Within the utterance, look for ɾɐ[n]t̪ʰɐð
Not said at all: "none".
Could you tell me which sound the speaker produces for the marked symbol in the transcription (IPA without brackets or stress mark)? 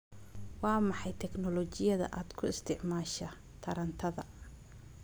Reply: n